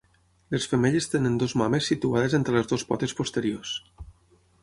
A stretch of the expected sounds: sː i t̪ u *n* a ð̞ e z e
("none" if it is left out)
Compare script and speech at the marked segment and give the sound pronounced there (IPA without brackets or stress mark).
none